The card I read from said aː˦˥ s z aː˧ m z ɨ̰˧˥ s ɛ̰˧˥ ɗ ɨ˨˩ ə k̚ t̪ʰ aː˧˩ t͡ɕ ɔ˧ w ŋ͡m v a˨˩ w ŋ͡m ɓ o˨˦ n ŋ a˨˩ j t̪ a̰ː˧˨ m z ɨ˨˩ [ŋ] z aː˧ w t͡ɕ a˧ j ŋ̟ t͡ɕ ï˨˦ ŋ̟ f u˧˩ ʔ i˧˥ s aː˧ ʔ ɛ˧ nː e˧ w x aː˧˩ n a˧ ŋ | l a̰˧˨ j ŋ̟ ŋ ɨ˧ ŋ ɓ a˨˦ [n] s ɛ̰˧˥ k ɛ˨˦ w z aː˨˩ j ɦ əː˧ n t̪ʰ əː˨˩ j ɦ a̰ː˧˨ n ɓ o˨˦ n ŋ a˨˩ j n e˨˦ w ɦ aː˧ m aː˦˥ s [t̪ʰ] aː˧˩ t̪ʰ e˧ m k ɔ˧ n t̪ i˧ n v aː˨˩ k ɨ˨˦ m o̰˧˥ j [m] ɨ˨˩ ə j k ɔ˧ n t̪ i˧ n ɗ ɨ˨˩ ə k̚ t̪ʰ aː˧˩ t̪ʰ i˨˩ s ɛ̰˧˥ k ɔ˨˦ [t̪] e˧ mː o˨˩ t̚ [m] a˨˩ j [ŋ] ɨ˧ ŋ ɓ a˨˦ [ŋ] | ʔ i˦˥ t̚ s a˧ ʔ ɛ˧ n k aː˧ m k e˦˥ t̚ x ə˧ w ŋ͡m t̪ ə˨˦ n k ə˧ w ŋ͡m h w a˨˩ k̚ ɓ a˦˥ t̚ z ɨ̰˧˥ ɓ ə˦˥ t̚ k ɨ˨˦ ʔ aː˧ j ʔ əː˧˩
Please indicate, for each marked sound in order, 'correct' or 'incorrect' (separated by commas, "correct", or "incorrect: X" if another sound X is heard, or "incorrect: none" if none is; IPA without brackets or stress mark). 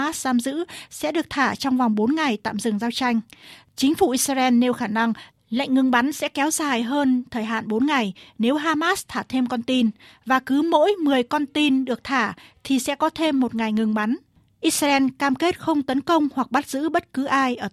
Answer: correct, correct, correct, correct, incorrect: t̪ʰ, incorrect: ŋ, correct, incorrect: n